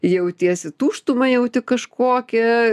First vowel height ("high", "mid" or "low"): mid